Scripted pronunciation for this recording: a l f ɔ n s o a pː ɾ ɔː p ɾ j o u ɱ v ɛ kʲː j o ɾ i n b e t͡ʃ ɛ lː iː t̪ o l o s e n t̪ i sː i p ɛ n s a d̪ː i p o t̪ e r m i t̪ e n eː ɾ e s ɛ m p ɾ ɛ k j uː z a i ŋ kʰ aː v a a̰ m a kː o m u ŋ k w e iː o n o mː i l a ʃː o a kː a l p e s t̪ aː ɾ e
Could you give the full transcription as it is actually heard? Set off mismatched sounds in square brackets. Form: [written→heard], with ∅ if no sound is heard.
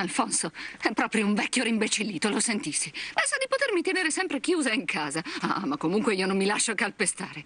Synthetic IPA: a l f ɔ n s o [a→ɛ] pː ɾ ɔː p ɾ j o u ɱ v ɛ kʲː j o ɾ i [n→m] b e t͡ʃ [ɛ→i] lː iː t̪ o l o s e n t̪ i sː i p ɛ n s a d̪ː i p o t̪ e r m i t̪ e n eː ɾ e s ɛ m p ɾ [ɛ→e] k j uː z a i ŋ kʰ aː [v→z] a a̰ m a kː o m u ŋ k w e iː o n o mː i l a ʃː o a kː a l p e s t̪ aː ɾ e

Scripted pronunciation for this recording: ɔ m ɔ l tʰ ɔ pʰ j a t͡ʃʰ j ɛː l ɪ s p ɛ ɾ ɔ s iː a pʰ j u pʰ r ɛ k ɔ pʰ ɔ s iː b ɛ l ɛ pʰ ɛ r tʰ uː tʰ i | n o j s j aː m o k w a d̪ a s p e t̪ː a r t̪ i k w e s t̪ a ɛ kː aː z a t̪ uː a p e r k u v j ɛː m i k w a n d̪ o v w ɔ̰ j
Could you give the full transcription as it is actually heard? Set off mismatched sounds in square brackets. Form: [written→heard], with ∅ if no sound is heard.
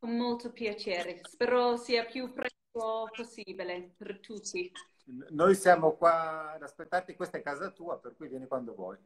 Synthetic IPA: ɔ m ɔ l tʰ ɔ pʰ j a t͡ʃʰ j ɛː [l→ɾ] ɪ s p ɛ ɾ ɔ s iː a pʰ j u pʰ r ɛ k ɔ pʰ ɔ s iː b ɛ l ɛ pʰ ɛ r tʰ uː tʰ i | n o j s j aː m o k w a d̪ a s p e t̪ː a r t̪ i k w e s t̪ a ɛ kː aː z a t̪ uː a p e r k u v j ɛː [m→n] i k w a n d̪ o v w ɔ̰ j

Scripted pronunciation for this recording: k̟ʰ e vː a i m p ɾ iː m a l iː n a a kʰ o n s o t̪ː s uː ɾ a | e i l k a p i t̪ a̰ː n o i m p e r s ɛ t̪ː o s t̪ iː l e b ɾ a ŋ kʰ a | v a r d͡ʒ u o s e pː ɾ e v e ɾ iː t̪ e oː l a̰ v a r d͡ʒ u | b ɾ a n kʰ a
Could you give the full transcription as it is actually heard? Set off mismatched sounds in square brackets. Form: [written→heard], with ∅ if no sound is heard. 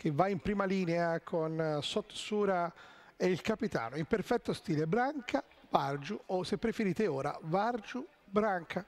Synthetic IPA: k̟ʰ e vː a i m p ɾ iː m a l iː n [a→e] a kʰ o n s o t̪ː s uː ɾ a | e i l k a p i t̪ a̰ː n o i m p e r [s→f] ɛ t̪ː o s t̪ iː l e b ɾ a ŋ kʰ a | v a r d͡ʒ u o s e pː ɾ e [v→f] e ɾ iː t̪ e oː [l→ɾ] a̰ v a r d͡ʒ u | b ɾ a [n→ŋ] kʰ a

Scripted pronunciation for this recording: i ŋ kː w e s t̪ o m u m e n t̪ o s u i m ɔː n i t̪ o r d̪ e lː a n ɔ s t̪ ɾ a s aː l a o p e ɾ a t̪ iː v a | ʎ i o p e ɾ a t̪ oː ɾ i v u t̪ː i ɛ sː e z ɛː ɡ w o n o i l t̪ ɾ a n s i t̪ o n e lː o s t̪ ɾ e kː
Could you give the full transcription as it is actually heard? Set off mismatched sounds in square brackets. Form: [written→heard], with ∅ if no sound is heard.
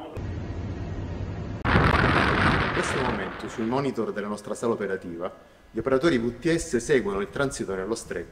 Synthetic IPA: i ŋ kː w e s t̪ o m [u→o] m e n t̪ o s u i m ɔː n i t̪ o r d̪ e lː a n ɔ s t̪ ɾ a s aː l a o p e ɾ a t̪ iː v a | ʎ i o p e ɾ a t̪ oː ɾ i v u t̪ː i ɛ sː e [z→s] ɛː ɡ w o n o i l t̪ ɾ a n s i t̪ o n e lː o s t̪ ɾ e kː

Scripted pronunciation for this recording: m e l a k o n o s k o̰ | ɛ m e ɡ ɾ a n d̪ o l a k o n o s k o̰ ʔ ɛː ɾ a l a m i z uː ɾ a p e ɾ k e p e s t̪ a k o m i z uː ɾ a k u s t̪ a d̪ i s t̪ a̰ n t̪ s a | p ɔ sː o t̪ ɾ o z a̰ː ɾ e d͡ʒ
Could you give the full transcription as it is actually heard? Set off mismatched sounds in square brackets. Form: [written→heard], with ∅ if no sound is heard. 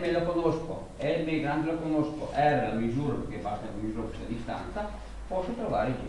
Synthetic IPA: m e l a k o n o s k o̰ | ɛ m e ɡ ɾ a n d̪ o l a k o n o s k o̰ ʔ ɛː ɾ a l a m i z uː ɾ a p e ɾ k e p [e→a] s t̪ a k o m i z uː ɾ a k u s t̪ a d̪ i s t̪ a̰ n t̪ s a | p ɔ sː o t̪ ɾ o [z→v] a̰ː ɾ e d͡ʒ

